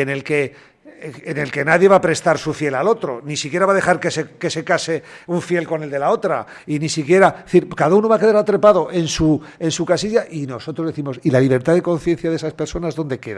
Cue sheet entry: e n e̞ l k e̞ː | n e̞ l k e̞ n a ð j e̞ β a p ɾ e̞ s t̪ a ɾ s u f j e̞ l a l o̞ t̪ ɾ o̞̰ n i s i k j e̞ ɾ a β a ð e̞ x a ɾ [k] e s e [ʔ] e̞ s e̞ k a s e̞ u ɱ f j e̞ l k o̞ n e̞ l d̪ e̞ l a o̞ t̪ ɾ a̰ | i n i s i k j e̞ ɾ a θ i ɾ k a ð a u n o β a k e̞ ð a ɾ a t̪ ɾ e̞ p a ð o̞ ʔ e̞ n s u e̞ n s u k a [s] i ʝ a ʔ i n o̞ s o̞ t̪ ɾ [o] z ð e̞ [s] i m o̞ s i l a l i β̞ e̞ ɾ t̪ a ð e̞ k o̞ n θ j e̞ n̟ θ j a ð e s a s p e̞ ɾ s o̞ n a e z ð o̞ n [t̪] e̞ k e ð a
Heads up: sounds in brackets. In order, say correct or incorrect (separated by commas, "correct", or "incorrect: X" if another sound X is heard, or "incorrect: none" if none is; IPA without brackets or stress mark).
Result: correct, incorrect: k, correct, correct, incorrect: θ, incorrect: d̪